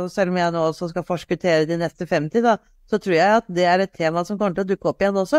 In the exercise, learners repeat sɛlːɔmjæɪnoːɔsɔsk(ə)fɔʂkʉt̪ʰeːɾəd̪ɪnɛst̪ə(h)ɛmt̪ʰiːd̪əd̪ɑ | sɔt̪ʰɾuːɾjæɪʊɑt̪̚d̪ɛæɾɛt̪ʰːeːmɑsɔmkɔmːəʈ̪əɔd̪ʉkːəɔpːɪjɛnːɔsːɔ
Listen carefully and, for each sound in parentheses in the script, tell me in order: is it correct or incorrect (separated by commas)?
incorrect, incorrect